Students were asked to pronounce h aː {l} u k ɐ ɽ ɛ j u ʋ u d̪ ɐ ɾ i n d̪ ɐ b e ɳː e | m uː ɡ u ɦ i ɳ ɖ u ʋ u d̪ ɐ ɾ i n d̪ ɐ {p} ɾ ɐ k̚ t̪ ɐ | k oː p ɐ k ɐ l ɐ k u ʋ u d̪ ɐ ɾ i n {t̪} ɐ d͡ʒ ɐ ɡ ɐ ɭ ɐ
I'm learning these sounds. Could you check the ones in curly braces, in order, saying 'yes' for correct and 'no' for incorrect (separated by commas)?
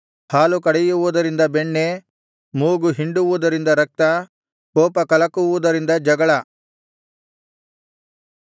yes, no, no